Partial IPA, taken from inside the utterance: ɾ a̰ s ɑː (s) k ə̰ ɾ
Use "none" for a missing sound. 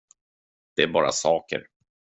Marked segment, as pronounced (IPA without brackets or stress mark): none